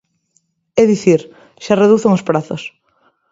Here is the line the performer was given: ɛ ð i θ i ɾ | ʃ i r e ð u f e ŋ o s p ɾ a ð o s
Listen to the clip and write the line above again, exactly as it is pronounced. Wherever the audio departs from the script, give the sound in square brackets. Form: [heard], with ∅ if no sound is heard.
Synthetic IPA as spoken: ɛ ð i θ i ɾ | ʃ [a] r e ð u [θ] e ŋ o s p ɾ a [θ] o s